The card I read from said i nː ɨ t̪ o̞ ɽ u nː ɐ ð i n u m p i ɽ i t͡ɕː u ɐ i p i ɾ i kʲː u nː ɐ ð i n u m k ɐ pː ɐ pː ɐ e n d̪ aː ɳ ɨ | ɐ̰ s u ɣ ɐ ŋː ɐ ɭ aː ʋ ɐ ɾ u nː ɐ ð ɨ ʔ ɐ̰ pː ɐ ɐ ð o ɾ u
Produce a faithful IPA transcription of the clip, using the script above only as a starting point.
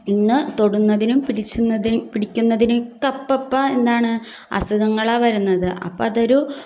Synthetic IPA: i nː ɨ t̪ o̞ ɽ u nː ɐ ð i n u m p i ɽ i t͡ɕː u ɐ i p i ɽ i kʲː u nː ɐ ð i n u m k ɐ pː ɐ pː ɐ e n d̪ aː ɳ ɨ | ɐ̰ s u ɣ ɐ ŋː ɐ ɭ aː ʋ ɐ ɾ u nː ɐ ð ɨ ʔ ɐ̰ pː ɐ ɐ ð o ɾ u